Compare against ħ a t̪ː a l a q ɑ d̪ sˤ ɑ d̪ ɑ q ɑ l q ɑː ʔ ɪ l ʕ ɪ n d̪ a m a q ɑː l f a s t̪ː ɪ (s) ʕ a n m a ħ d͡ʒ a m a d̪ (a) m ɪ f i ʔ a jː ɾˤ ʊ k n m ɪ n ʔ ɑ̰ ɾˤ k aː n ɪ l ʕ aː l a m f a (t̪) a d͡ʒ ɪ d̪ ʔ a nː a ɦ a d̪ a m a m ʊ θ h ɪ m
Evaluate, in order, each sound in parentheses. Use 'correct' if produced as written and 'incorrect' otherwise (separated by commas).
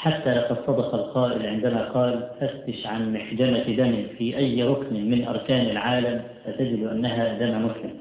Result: incorrect, correct, correct